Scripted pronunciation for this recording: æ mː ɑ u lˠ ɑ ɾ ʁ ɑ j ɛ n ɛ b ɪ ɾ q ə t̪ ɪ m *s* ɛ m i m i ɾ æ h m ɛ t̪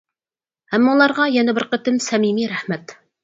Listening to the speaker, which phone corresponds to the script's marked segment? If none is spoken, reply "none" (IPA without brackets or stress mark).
s